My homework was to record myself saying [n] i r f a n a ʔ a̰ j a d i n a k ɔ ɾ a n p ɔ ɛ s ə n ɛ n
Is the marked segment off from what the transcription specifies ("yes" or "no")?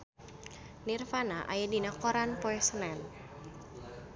no